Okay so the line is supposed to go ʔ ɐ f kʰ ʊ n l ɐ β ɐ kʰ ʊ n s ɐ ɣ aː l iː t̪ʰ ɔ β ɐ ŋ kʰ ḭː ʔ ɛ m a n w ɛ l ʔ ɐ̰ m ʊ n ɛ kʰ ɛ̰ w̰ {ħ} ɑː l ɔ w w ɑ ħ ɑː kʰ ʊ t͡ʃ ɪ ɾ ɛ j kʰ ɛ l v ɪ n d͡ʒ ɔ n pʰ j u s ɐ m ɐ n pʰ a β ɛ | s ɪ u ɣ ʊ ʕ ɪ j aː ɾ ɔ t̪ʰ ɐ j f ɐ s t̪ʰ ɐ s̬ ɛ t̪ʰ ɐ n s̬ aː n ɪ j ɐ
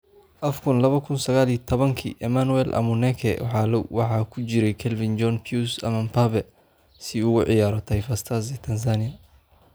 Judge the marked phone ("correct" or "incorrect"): correct